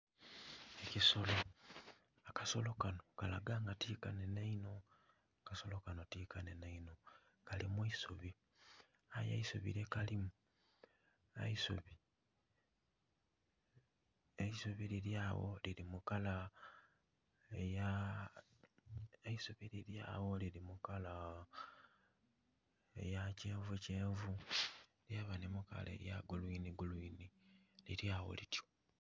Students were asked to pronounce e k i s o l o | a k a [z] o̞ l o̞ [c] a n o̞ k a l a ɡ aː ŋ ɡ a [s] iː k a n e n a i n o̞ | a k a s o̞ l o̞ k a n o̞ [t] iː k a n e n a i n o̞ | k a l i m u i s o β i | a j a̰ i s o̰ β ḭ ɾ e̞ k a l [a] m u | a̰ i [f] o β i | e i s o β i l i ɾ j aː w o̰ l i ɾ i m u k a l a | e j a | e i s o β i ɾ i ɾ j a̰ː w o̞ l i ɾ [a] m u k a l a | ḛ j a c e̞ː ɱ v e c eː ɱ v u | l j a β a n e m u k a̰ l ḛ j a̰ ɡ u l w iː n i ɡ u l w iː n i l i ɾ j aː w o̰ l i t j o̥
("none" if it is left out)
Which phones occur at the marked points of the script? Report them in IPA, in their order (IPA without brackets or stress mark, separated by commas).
s, k, t, t, i, s, i